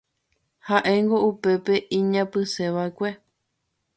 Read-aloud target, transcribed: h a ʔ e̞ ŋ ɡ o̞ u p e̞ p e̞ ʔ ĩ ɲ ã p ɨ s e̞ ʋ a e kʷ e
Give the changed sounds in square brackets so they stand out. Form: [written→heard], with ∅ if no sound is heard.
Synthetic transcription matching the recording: h a ʔ e̞ ŋ ɡ o̞ u p e̞ p e̞ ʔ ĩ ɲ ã p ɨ s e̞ ʋ a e kʷ e